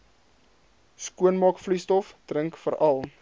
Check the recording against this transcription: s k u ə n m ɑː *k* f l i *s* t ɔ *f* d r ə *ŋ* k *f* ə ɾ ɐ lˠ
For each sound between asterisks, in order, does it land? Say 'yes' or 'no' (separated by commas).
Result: yes, yes, yes, yes, yes